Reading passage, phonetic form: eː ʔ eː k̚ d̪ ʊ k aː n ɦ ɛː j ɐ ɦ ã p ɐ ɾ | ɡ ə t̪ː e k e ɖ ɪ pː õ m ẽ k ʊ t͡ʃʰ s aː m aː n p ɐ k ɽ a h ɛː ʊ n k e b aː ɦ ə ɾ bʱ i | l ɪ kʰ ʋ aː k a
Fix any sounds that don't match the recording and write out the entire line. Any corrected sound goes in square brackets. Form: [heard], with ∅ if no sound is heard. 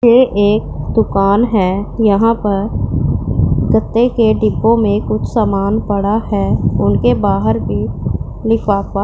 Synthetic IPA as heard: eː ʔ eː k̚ d̪ ʊ k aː n ɦ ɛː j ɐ ɦ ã p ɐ ɾ | ɡ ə t̪ː e k e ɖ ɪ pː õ m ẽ k ʊ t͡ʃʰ s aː m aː n p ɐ [∅] ɽ a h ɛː ʊ n k e b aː ɦ ə ɾ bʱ i | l ɪ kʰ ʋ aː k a

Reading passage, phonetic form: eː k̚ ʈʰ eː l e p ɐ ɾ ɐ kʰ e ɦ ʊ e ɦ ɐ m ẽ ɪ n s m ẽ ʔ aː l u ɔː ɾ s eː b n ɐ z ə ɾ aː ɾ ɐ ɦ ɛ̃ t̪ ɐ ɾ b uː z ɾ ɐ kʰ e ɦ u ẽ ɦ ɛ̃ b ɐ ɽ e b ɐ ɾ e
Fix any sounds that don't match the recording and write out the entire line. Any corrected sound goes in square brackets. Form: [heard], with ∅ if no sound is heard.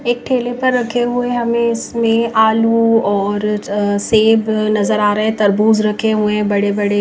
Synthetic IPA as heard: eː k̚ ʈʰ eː l e p ɐ [ɾː] ɐ kʰ e ɦ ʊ e ɦ ɐ m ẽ ɪ [∅] s m ẽ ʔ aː l u ɔː ɾ s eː b n ɐ z ə ɾ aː ɾ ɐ ɦ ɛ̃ t̪ ɐ ɾ b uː z ɾ ɐ kʰ e ɦ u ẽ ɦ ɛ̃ b ɐ ɽ e b ɐ [ɽ] e

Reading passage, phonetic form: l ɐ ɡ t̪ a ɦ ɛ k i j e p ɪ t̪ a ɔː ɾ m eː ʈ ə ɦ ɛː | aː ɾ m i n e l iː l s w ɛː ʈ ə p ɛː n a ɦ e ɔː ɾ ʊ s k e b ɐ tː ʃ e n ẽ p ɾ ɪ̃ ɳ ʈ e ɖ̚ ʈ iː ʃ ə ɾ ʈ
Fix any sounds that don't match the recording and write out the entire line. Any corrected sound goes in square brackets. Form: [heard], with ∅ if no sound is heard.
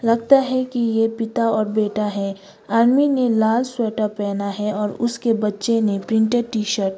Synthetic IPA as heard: l ɐ ɡ t̪ a ɦ ɛ k i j e p ɪ t̪ a ɔː ɾ [b] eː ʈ [a] ɦ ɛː | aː ɾ m i n e l [aː] l s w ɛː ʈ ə p ɛː n a ɦ [ɛ] ɔː ɾ ʊ s k e b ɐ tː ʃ e n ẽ p ɾ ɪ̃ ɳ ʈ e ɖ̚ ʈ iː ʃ ə ɾ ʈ

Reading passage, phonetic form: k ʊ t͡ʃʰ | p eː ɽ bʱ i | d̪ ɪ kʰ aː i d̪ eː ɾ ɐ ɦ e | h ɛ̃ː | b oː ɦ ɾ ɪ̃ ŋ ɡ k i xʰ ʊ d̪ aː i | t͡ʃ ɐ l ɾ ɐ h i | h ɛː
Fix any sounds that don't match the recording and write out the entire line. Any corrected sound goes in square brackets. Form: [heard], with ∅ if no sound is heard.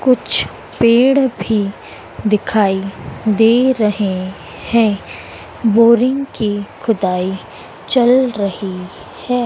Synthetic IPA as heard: k ʊ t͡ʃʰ | p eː ɽ bʱ i | d̪ ɪ kʰ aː i d̪ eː ɾ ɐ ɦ e | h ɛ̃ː | b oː [∅] ɾ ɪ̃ ŋ ɡ k i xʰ ʊ d̪ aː i | t͡ʃ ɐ l ɾ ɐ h i | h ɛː

